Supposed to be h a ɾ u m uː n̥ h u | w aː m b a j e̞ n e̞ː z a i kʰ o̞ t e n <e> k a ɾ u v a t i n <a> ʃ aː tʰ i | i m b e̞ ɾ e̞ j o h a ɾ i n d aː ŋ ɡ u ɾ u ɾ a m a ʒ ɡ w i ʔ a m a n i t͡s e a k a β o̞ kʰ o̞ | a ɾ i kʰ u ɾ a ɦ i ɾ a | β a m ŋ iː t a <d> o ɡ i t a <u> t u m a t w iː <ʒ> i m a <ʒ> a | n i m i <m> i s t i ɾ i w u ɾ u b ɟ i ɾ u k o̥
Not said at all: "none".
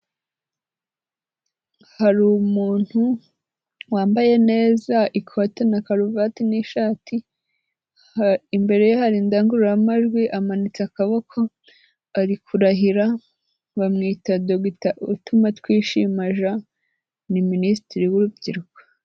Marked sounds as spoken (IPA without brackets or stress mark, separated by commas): a, i, d, u, ʃ, ʒ, n